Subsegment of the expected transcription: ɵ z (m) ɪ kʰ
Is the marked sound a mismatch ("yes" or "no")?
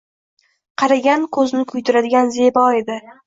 yes